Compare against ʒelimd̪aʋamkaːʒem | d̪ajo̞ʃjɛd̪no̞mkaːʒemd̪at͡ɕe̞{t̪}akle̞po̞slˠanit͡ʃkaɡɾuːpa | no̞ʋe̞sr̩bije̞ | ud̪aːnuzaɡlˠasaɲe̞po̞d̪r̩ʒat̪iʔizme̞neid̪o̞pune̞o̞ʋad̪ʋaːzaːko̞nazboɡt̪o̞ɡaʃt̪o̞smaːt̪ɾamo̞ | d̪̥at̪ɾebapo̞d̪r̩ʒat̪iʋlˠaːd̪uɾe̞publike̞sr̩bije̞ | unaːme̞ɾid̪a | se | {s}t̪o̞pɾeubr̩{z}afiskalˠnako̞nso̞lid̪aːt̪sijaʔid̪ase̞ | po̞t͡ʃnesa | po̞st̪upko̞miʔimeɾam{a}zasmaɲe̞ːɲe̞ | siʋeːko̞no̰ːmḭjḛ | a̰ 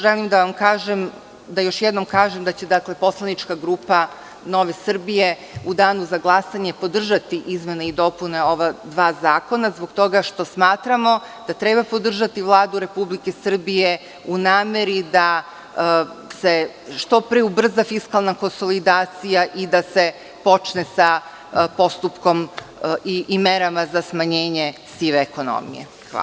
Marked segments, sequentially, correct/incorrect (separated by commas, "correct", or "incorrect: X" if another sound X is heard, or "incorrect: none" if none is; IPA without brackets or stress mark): incorrect: d̪, incorrect: ʃ, correct, correct